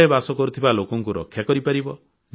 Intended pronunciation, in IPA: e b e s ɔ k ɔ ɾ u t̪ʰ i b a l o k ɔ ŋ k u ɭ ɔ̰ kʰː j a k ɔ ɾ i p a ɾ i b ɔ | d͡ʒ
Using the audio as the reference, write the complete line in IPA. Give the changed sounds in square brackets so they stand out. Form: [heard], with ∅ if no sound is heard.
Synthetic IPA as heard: e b [a] s ɔ k ɔ ɾ u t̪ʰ i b a l o k ɔ ŋ k u [ɾ] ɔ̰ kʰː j a k ɔ ɾ i p a ɾ i b ɔ | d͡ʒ